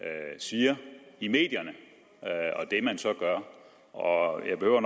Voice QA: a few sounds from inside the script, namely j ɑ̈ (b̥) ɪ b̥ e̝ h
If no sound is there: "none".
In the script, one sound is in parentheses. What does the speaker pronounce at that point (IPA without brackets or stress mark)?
none